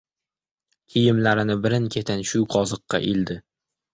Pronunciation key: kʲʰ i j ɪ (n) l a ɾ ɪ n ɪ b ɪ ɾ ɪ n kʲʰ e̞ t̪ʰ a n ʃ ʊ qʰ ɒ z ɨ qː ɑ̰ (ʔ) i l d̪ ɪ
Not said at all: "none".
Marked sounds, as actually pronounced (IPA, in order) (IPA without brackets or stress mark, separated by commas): m, ʔ